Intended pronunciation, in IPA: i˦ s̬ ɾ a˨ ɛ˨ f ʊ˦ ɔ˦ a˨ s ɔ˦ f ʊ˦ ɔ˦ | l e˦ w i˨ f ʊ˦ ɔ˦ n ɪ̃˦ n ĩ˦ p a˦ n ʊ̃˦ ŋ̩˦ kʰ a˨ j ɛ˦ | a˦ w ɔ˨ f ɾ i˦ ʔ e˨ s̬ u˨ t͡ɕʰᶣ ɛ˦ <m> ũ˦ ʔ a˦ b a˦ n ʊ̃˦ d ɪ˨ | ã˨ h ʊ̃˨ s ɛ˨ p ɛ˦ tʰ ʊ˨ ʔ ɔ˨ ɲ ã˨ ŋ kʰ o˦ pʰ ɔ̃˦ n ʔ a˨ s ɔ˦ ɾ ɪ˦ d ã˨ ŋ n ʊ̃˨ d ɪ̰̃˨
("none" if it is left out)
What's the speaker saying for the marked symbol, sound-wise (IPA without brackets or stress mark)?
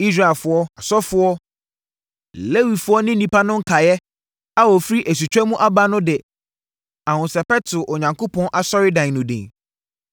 m